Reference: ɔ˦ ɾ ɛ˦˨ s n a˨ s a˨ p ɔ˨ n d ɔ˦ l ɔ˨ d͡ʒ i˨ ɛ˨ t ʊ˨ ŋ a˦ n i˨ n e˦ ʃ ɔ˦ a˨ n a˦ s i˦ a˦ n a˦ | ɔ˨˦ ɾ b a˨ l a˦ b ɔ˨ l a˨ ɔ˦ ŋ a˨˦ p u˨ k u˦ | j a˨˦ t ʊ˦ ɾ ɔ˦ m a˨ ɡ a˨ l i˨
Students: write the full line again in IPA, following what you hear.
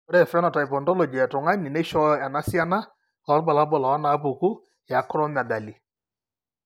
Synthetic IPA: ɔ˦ ɾ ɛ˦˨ f n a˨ t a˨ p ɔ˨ n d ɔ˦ l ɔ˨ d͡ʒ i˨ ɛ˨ t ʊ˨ ŋ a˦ n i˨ n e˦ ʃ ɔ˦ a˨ n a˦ s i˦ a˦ n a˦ | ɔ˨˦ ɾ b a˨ l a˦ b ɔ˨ l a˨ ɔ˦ n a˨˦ p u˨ k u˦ | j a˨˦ k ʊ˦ ɾ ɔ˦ m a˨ ɡ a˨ l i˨